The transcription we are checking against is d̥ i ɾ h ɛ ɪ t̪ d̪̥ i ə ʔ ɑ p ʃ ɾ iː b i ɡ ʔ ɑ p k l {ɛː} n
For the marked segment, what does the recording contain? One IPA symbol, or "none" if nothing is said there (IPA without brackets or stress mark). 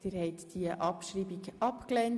ɛ